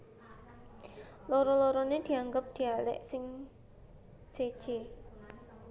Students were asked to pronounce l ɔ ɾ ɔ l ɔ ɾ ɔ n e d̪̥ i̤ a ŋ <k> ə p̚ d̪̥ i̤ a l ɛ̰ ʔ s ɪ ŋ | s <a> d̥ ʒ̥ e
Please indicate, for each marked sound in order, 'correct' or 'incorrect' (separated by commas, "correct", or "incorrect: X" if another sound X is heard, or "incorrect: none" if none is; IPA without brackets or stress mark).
incorrect: ɡ, incorrect: e